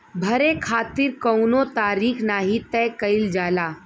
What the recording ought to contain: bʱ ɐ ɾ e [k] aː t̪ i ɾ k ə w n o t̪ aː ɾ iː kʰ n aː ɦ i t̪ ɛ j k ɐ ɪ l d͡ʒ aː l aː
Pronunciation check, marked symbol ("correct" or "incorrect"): incorrect